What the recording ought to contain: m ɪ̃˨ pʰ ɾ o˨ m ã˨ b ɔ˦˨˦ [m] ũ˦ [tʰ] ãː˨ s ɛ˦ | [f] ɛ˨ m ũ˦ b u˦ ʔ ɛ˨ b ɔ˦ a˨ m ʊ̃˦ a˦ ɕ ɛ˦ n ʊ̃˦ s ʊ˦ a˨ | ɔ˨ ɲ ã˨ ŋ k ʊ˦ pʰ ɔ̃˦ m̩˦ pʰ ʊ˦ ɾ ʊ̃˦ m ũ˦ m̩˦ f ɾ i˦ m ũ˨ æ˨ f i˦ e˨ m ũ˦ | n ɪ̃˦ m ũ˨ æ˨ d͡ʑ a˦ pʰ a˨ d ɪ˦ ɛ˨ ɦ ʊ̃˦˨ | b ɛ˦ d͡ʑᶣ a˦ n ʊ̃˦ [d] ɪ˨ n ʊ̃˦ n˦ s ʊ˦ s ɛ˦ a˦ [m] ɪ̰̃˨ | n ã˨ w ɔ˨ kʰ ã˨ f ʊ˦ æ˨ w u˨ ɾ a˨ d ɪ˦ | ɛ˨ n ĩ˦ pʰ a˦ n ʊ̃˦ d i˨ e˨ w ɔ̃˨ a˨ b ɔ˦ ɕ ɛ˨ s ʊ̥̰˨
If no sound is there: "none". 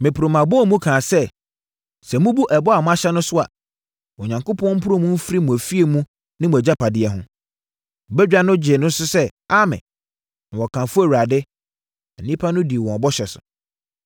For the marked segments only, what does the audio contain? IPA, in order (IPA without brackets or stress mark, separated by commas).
m, kʰ, s, d͡ʑ, m